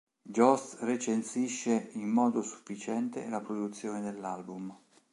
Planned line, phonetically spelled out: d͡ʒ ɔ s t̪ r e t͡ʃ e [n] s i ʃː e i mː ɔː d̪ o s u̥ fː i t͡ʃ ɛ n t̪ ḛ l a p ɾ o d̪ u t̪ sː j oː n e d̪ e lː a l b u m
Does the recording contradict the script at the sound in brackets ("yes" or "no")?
no